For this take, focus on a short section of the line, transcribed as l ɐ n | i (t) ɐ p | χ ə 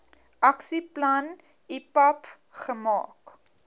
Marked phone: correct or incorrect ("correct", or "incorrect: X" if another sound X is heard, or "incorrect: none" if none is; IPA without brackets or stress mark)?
incorrect: p